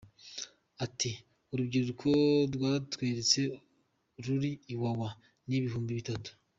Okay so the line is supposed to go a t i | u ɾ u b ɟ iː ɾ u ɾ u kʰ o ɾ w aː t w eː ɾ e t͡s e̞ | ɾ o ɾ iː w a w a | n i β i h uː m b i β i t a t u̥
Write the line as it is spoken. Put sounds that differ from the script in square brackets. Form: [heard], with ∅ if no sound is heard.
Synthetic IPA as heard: a t i | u ɾ u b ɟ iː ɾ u ɾ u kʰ o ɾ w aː t w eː ɾ e t͡s e̞ | ɾ [u] ɾ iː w a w a | n i β i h uː m b i β i t a t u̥